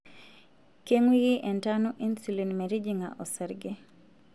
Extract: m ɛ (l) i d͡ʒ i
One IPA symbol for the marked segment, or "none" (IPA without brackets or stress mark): ɾ